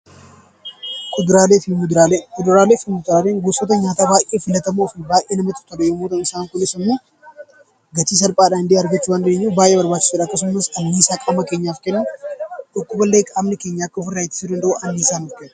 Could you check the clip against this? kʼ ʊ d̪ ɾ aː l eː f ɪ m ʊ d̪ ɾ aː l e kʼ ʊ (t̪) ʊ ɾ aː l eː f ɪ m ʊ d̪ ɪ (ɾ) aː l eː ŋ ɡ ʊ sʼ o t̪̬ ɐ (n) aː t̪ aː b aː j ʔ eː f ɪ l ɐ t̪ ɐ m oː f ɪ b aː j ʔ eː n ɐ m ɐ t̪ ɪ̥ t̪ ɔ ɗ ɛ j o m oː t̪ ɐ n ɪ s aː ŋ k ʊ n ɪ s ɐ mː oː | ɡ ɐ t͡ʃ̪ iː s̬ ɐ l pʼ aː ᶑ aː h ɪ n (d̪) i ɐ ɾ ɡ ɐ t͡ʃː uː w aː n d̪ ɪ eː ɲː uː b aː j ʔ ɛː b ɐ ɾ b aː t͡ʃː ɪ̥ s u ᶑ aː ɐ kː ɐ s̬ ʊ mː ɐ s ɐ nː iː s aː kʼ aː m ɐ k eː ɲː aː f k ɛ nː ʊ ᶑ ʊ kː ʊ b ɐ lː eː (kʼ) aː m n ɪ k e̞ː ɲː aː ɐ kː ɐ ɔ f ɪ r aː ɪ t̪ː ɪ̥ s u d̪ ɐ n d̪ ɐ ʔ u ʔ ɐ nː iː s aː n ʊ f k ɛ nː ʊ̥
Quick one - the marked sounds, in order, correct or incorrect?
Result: incorrect, correct, incorrect, correct, correct

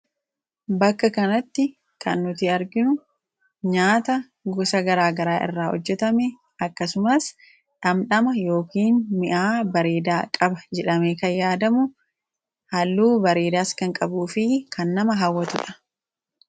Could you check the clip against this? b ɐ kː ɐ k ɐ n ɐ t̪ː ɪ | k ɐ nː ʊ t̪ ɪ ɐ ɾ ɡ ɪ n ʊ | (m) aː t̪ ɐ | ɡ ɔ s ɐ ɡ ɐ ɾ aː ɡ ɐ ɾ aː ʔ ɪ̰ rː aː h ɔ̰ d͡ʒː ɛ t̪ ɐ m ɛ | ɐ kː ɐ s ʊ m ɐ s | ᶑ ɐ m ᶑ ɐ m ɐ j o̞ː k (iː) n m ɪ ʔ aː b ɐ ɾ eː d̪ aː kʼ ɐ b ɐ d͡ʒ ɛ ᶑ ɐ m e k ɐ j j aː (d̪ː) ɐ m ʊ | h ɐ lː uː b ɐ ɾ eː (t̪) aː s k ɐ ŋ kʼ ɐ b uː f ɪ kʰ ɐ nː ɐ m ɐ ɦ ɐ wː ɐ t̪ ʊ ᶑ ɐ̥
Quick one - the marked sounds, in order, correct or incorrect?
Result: incorrect, correct, incorrect, incorrect

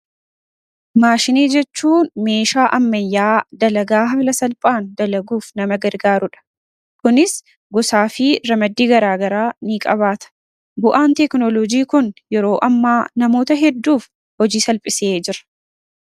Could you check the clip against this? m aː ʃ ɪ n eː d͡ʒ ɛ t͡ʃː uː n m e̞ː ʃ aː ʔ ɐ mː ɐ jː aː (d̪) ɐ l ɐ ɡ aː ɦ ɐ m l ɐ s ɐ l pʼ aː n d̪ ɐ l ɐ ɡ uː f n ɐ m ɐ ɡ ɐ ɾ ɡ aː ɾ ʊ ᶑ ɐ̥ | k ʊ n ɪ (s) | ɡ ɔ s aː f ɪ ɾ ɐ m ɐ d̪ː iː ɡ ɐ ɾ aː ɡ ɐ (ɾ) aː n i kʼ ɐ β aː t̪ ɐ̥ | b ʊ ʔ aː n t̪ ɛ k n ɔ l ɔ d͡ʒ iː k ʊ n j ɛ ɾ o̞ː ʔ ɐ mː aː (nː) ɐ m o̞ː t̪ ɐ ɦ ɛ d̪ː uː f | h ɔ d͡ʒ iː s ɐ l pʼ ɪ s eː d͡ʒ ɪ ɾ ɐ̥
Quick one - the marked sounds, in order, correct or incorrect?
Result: correct, correct, correct, incorrect

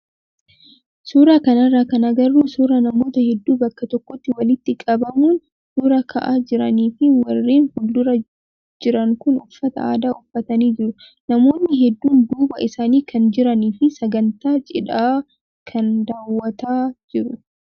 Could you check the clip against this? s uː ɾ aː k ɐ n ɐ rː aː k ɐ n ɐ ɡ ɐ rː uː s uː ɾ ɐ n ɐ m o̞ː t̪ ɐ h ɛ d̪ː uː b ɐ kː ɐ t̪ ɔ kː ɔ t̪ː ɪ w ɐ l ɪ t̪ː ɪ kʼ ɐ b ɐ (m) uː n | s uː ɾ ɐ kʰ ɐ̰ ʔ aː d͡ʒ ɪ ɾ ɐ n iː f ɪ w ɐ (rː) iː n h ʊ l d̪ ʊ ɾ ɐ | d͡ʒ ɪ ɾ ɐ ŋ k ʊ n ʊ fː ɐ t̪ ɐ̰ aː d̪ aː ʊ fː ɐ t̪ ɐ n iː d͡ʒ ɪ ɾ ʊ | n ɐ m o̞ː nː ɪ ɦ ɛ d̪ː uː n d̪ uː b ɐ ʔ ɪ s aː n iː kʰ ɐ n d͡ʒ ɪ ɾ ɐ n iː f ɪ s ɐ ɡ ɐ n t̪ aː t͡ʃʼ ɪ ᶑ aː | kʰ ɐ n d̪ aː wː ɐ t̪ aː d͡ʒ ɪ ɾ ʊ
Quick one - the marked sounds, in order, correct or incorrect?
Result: correct, correct

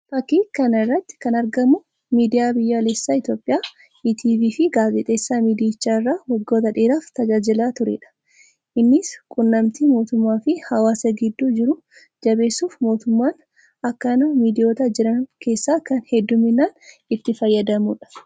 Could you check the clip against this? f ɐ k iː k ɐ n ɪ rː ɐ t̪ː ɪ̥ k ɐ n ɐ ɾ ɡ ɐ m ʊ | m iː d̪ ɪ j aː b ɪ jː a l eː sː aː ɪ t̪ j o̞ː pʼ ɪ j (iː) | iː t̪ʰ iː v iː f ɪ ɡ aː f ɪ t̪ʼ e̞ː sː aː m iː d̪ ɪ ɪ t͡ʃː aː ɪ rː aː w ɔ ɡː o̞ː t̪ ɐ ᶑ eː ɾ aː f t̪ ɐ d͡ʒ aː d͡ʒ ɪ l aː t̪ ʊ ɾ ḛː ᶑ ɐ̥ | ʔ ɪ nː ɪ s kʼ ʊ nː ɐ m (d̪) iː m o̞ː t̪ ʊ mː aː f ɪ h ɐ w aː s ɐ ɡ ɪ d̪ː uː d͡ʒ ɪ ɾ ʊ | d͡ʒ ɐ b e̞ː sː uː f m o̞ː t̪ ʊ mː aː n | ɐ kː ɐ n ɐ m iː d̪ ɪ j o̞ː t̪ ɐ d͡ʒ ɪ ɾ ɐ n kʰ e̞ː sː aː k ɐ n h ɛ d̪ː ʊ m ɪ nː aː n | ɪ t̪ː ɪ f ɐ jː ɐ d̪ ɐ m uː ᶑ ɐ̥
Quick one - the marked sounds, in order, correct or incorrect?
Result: incorrect, incorrect

